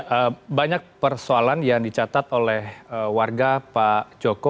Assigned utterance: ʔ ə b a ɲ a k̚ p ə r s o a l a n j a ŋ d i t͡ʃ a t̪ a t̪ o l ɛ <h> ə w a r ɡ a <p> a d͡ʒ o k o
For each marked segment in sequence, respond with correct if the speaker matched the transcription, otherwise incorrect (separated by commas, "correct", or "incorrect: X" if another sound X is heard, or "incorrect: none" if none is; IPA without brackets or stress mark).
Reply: correct, correct